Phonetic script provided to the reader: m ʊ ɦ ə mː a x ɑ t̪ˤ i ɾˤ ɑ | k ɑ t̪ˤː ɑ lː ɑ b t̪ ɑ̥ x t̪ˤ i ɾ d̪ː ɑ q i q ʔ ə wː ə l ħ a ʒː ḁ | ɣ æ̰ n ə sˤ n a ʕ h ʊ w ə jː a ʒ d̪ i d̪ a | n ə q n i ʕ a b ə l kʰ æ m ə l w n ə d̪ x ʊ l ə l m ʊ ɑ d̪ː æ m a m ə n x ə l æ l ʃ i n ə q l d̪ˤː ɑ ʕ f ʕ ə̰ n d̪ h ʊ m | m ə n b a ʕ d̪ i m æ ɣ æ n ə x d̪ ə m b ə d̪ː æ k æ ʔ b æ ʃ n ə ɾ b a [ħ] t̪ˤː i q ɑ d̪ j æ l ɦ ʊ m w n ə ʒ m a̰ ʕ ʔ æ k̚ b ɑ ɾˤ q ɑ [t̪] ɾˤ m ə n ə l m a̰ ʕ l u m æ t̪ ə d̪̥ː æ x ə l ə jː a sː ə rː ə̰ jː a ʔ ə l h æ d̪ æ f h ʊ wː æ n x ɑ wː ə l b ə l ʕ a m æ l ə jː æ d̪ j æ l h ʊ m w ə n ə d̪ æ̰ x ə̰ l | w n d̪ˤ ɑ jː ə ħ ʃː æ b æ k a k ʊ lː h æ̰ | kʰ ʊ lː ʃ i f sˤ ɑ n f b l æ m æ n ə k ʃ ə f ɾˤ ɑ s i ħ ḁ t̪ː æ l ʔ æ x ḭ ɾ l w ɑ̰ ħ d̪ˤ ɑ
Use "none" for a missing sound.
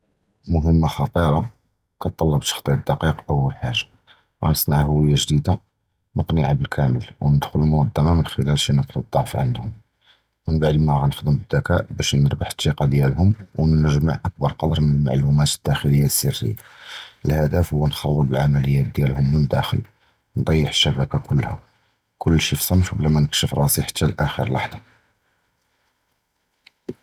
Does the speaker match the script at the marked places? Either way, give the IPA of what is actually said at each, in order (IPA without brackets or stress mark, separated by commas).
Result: ħ, d̪